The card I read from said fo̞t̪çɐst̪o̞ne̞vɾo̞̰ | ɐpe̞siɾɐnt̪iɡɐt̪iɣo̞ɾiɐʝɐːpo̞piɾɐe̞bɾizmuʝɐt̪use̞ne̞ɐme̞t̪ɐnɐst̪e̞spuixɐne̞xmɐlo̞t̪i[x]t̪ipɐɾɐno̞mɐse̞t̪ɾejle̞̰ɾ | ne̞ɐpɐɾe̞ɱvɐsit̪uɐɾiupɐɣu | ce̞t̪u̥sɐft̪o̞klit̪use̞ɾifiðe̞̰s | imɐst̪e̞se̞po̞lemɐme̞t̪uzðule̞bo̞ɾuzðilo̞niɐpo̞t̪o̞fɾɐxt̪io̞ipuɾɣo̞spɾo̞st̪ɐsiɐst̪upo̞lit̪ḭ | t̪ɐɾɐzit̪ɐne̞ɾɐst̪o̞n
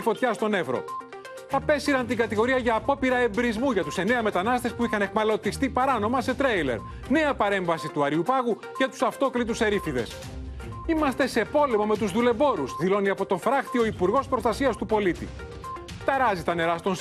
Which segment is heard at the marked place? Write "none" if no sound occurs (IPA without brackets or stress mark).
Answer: s